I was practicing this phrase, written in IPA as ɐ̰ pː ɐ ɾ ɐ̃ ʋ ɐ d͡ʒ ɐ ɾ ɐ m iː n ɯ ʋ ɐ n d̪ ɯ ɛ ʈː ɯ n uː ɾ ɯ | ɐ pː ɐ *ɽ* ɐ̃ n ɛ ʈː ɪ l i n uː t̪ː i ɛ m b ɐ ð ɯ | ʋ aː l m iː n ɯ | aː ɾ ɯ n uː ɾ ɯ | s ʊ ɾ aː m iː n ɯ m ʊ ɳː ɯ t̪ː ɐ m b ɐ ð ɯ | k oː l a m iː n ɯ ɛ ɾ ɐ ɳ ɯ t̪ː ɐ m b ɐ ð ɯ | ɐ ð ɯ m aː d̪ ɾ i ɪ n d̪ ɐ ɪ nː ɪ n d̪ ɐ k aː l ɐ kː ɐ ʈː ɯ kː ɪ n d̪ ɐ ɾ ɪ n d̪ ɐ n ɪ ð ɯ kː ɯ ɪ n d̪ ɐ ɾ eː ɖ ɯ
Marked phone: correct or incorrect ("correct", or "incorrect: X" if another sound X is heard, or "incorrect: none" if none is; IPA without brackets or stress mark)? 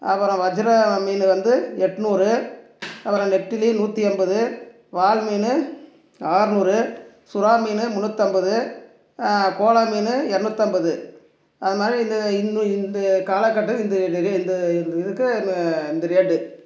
incorrect: ɾ